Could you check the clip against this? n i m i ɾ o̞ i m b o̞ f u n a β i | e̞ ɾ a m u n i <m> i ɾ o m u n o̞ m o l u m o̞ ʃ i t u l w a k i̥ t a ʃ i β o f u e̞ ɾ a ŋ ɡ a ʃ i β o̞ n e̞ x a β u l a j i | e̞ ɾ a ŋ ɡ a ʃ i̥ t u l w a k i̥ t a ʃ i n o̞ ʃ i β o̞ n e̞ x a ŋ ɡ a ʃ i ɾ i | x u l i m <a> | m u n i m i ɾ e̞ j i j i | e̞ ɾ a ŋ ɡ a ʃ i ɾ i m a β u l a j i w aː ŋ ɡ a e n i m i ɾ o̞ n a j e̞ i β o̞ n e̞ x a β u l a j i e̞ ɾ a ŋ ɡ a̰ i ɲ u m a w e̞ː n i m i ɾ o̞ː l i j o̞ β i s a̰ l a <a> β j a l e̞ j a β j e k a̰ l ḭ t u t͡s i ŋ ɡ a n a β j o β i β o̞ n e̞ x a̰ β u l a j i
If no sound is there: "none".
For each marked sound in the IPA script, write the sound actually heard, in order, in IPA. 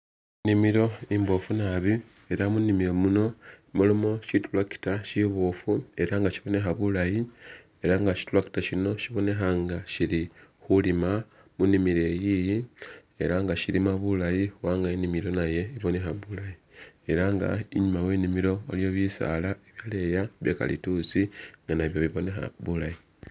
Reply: m, a, e

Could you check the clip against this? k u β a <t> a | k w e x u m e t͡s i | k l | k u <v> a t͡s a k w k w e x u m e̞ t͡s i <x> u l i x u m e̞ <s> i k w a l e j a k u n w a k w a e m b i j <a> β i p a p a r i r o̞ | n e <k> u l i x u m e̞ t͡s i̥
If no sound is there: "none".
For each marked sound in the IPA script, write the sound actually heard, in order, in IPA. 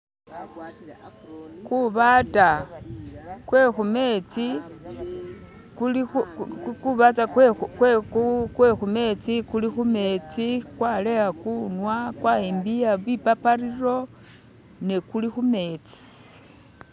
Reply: t, β, k, t͡s, a, k

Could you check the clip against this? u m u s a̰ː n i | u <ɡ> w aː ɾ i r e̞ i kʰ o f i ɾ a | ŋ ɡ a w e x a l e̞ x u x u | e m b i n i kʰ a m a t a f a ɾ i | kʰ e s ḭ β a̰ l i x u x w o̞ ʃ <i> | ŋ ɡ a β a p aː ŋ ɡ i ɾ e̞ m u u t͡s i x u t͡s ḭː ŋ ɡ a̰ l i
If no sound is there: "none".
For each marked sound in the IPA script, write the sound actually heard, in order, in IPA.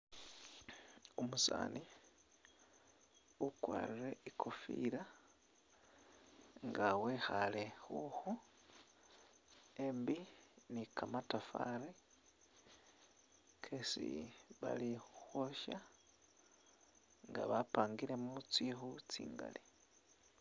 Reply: k, a

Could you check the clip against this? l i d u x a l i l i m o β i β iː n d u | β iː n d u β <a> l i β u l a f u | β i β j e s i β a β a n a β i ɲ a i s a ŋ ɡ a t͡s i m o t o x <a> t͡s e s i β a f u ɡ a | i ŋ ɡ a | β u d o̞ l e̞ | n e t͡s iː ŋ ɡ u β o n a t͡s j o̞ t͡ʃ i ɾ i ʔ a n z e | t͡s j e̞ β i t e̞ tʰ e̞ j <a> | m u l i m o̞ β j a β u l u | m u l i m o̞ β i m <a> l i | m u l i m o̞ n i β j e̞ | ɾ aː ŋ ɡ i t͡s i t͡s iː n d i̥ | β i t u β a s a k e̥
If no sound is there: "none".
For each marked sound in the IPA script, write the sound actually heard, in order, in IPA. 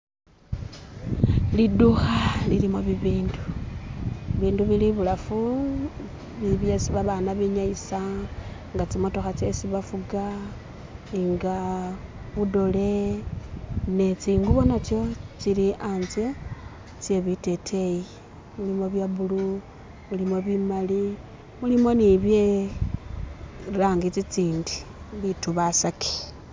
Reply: i, a, i, a

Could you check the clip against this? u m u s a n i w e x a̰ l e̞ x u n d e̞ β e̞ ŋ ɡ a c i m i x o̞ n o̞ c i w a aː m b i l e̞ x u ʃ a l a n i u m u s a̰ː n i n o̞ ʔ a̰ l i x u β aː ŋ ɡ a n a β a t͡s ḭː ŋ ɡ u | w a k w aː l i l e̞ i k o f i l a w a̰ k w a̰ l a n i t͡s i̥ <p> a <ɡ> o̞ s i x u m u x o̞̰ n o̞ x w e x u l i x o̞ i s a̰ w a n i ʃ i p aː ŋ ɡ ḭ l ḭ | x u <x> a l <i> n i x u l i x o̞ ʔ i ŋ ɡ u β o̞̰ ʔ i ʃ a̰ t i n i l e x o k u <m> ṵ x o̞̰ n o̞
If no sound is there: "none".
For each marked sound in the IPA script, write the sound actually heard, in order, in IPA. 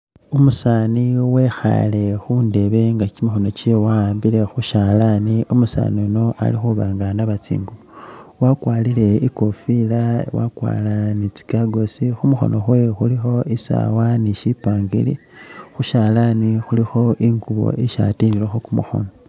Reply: k, ɡ, ʃ, a, m

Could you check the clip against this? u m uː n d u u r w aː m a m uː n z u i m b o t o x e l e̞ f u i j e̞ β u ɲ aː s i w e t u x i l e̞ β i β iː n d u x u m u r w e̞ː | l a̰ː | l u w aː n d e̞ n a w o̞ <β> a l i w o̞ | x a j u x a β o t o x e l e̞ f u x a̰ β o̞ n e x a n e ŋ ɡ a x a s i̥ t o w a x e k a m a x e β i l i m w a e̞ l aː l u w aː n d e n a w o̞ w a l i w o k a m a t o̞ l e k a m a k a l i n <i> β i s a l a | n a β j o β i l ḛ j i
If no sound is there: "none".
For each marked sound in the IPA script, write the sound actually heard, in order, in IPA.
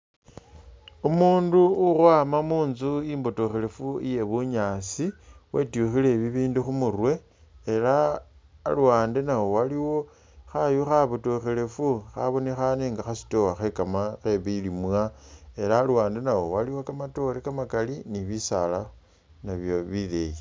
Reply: w, i

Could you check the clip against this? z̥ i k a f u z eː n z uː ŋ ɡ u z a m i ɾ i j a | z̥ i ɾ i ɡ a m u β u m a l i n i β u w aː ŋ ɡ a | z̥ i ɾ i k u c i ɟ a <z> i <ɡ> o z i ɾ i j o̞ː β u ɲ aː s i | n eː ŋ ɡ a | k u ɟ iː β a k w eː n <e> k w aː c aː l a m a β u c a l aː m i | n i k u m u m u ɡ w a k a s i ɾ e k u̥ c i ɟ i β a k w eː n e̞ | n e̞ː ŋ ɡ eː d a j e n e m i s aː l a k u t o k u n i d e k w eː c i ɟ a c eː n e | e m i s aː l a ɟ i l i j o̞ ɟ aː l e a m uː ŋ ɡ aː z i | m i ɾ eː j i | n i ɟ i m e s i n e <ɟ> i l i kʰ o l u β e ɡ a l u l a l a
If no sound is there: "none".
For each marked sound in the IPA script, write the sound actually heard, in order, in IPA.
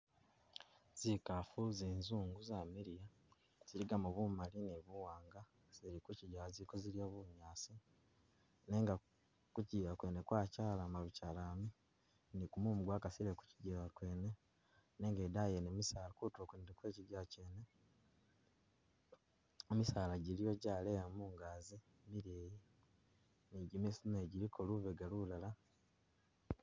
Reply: z, k, e, ɟ

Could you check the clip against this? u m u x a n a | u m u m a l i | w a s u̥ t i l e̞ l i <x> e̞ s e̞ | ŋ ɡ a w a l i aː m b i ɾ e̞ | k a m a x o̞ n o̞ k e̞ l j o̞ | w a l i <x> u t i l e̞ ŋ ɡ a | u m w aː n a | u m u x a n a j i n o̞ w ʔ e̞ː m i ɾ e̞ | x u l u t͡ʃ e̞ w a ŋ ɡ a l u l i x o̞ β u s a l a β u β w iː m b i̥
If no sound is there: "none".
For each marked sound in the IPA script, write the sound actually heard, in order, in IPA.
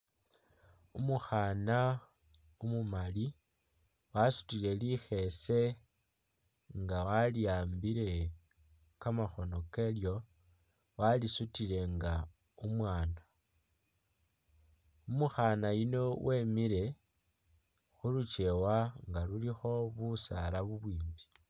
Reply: x, s

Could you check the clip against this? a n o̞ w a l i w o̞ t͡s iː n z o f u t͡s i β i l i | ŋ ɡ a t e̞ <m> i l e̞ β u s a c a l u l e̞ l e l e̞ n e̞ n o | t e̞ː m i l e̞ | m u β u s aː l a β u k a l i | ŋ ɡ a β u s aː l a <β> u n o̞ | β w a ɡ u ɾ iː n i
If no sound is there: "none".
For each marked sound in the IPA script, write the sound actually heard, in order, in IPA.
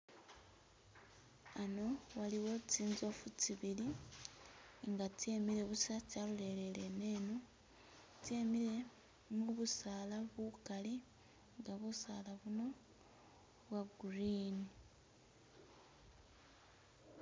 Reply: m, β

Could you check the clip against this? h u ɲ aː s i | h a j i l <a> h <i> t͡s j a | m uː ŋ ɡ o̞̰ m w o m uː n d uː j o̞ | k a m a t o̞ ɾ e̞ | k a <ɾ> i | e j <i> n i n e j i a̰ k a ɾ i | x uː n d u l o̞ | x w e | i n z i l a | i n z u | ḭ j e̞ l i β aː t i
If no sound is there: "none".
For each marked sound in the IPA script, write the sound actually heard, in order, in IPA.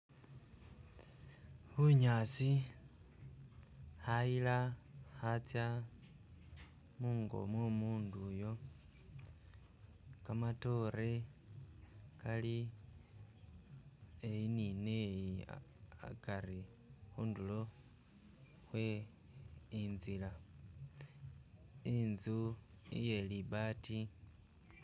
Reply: a, a, l, i

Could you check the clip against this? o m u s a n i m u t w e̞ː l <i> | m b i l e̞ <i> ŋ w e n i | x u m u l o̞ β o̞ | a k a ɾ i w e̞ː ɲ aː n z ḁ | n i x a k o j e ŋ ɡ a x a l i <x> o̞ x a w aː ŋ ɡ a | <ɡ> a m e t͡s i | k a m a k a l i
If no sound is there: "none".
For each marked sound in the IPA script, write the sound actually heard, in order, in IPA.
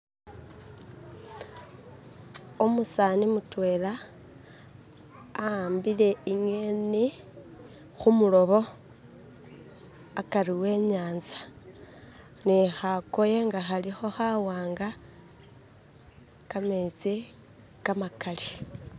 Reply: a, i, x, k

